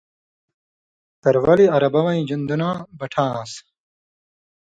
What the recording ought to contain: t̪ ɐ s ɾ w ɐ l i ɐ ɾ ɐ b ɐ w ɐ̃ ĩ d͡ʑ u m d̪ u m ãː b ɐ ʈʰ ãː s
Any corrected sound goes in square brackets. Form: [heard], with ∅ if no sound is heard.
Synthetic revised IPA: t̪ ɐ [∅] ɾ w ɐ l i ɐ ɾ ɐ b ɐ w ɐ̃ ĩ d͡ʑ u [n] d̪ u [n] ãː b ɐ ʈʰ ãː s